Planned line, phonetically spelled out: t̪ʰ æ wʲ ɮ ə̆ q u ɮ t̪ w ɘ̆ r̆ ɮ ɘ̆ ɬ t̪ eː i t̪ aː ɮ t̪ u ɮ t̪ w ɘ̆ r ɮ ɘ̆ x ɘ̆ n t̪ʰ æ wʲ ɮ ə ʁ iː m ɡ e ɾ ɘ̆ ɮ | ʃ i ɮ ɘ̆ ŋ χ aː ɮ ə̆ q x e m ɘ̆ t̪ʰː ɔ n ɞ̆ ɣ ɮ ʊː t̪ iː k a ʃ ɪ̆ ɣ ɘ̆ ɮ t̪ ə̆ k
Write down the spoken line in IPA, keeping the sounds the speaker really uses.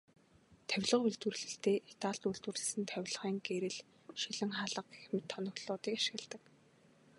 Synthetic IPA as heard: t̪ʰ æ wʲ ɮ ə̆ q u ɮ t̪ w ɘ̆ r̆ ɮ ɘ̆ ɬ t̪ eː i t̪ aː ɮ t̪ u ɮ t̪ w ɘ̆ r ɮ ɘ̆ s ɘ̆ n t̪ʰ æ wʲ ɮ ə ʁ iː ŋ ɡ e ɾ ɘ̆ ɮ | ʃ i ɮ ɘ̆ ŋ χ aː ɮ ə̆ q x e m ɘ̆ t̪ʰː ɔ n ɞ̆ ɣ ɮ ʊː t̪ iː k a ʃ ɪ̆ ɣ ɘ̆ ɮ t̪ ə̆ k